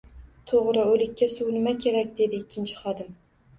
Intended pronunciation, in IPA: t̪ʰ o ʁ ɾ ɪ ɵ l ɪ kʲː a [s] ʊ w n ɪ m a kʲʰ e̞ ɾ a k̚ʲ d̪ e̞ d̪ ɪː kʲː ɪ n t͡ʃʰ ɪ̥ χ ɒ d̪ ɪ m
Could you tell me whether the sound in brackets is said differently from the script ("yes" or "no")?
no